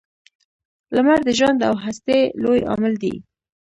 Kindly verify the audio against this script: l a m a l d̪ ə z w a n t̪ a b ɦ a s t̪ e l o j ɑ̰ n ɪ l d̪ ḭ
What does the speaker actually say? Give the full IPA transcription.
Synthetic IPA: l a m a ɾ d̪ ə ʒ w a n d̪ a w ɦ a s t̪ e l o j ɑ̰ m ɪ l d̪ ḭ